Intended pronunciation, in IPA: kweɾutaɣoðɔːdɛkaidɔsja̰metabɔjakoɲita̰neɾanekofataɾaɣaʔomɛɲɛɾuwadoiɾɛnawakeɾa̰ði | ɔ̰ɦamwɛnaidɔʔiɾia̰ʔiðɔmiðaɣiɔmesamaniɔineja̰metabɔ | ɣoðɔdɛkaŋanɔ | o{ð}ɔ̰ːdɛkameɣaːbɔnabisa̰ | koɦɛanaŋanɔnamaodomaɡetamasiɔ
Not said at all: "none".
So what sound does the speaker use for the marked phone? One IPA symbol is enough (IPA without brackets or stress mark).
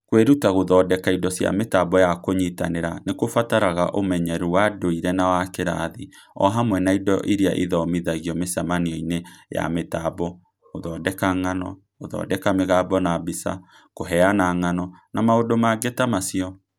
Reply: ð